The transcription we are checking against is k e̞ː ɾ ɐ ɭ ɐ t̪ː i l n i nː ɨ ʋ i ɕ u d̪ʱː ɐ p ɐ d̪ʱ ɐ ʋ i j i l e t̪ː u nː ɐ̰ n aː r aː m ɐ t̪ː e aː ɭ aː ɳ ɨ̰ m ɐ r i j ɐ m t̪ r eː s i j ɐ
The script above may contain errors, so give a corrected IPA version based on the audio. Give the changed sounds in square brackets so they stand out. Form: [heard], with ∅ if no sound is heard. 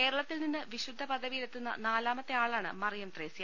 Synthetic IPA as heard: k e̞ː ɾ ɐ ɭ ɐ t̪ː i l n i nː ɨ ʋ i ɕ u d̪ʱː ɐ p ɐ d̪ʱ ɐ ʋ i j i l e t̪ː u nː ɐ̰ n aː [l] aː m ɐ t̪ː e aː ɭ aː ɳ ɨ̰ m ɐ r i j ɐ m t̪ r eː s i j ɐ